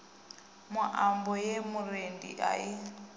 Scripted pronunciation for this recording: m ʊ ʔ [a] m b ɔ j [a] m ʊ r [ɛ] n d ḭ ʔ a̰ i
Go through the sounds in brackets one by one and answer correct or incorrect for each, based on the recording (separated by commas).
correct, incorrect, incorrect